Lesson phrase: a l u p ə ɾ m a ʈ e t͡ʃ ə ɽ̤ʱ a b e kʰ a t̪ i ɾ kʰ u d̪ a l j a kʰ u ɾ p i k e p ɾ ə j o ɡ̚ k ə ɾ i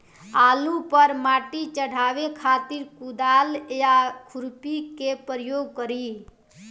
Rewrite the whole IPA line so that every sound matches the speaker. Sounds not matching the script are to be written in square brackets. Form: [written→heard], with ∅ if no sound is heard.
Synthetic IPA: a l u p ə ɾ m a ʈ [e→i] t͡ʃ ə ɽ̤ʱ a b e kʰ a t̪ i ɾ [kʰ→k] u d̪ a l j a kʰ u ɾ p i k e p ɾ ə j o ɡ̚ k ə ɾ i